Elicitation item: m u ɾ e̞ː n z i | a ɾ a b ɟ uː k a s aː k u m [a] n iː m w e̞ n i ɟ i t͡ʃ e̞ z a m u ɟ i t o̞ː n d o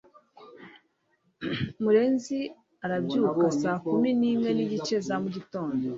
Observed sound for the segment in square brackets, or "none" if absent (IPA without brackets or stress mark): i